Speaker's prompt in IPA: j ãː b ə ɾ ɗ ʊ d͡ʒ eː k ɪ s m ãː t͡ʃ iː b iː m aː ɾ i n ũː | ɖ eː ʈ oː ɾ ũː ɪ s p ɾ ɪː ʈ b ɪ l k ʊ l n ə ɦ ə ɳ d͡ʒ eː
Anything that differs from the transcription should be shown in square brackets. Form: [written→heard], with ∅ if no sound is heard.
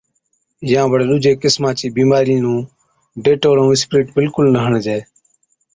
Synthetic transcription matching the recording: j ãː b ə [ɾ→ɽ] ɗ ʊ d͡ʒ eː k ɪ s m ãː t͡ʃ iː b iː m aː ɾ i n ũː | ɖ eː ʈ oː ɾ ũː ɪ s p ɾ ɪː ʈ b ɪ l k ʊ l n ə ɦ ə ɳ d͡ʒ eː